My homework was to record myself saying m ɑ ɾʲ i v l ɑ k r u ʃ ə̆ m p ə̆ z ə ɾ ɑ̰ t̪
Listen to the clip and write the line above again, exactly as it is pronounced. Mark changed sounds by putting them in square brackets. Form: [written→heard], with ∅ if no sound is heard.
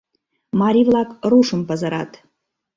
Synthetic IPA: m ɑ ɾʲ i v l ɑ k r u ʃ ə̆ m p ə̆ z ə ɾ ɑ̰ t̪